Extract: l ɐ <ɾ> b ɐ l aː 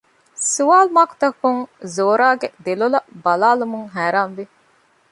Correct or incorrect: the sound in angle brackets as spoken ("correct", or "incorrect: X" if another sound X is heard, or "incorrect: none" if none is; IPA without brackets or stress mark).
incorrect: none